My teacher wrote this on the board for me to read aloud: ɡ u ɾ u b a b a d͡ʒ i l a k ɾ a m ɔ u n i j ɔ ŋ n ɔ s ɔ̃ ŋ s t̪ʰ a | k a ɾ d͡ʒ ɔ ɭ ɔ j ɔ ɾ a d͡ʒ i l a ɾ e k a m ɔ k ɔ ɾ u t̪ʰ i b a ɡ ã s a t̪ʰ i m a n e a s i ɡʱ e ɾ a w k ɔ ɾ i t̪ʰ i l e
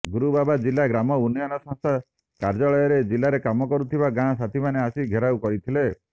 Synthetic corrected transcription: ɡ u ɾ u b a b a d͡ʒ i l a ɡ ɾ a m ɔ u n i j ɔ n ɔ s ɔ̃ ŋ s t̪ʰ a | k a ɾ d͡ʒ ɔ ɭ ɔ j ɔ ɾ e d͡ʒ i l a ɾ e k a m ɔ k ɔ ɾ u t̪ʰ i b a ɡ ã s a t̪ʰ i m a n e a s i ɡʱ e ɾ a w k ɔ ɾ i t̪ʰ i l e